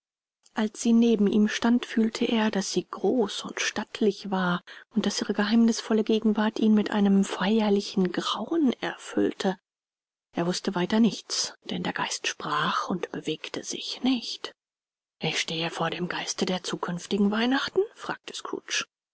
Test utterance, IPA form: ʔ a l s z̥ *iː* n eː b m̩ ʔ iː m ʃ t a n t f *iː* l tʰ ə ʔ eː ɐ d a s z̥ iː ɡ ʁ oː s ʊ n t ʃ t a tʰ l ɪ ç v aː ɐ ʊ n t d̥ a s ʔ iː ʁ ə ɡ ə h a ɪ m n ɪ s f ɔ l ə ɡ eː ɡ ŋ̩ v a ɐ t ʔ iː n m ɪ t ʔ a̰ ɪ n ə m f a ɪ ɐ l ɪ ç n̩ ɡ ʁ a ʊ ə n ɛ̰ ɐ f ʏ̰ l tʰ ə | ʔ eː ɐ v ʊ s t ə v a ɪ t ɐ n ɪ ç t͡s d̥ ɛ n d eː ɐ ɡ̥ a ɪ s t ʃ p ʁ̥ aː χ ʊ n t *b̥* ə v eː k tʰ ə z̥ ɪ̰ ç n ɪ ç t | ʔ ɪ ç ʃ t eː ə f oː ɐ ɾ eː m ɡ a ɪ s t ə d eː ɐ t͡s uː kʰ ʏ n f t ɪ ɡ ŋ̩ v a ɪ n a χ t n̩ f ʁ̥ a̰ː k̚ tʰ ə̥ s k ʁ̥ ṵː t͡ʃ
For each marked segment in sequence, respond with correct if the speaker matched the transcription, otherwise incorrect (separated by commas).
correct, incorrect, correct